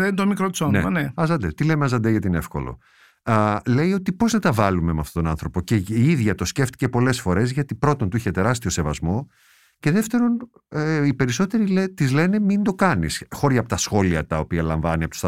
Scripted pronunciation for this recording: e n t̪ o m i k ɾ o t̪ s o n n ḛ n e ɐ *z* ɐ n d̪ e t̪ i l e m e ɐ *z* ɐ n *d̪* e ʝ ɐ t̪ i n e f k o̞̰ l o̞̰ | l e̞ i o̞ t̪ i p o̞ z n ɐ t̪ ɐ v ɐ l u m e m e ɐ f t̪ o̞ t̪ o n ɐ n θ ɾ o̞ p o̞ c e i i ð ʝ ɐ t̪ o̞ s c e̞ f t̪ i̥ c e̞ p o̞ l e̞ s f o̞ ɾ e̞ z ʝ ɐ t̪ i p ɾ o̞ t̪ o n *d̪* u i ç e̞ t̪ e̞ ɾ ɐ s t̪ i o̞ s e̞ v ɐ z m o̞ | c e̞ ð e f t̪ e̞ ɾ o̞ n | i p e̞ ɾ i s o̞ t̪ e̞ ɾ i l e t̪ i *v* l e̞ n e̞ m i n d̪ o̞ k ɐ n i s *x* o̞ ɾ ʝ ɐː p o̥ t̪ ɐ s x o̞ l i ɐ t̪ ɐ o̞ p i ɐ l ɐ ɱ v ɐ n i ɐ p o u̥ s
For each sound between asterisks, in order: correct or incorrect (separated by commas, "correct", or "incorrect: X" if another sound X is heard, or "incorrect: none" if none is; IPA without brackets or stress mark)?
correct, correct, correct, incorrect: t̪, incorrect: z, correct